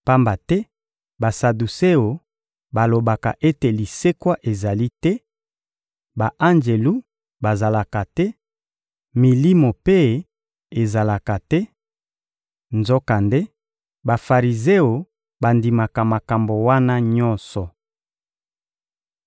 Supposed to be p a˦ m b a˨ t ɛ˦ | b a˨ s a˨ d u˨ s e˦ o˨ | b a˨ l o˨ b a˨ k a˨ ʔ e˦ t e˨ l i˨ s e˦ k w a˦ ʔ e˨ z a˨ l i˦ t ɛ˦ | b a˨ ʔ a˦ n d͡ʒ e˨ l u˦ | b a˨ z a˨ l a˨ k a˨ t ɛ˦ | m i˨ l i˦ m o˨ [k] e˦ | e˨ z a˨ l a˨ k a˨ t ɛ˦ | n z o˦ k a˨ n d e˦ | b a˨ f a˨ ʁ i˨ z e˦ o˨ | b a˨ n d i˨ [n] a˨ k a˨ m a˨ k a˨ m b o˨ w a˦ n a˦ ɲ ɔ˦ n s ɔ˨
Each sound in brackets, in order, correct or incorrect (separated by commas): incorrect, incorrect